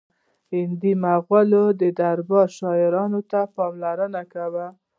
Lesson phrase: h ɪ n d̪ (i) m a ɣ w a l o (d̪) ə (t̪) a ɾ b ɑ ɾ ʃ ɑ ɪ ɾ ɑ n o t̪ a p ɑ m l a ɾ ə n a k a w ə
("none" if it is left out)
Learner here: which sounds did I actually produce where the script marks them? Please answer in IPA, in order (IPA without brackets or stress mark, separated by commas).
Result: i, d̪, d̪